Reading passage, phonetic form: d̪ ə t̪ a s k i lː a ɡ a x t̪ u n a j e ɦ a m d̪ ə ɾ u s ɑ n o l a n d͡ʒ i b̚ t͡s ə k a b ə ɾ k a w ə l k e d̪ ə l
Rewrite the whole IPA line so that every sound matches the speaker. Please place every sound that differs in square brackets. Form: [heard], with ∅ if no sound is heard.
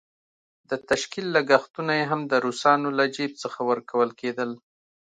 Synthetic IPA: d̪ ə t̪ a [ʃ] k i lː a ɡ a x t̪ u n a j e ɦ a m d̪ ə ɾ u s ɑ n o l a [∅] d͡ʒ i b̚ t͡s ə [x] a [w] ə ɾ k a w ə l k e d̪ ə l